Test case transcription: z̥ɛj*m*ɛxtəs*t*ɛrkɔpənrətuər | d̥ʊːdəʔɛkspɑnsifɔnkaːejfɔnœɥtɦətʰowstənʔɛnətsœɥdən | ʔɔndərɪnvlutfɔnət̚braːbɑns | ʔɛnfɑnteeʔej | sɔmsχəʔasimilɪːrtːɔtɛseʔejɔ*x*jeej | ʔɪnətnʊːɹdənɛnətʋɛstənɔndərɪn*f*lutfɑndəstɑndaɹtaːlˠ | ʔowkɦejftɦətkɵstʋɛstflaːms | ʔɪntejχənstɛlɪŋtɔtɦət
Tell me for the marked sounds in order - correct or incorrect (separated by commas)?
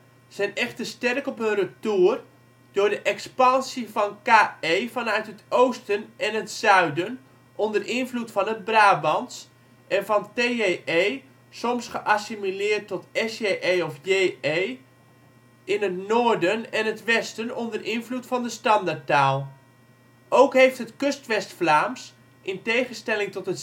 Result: incorrect, correct, incorrect, incorrect